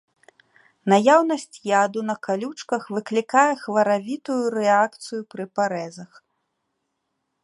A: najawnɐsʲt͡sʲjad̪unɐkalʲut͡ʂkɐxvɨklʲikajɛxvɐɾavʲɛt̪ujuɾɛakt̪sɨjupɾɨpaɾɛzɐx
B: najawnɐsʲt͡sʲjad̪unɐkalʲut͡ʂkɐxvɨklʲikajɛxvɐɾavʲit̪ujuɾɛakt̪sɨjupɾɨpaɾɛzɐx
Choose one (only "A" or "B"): B